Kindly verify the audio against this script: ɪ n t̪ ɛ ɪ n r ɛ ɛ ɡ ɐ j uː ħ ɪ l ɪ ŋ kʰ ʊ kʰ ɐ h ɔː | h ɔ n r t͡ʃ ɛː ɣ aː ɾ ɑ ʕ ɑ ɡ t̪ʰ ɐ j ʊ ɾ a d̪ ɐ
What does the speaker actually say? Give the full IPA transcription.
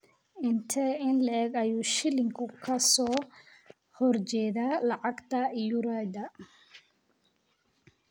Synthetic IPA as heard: ɪ n t̪ʰ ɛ ɪ n l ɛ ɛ ɡ ɐ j uː ʃ ɪ l ɪ ŋ kʰ ʊ kʰ ɐ s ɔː | h ɔ r t͡ʃ ɛː ð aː l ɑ ʕ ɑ ɡ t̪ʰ ɐ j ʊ ɾ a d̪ ɐ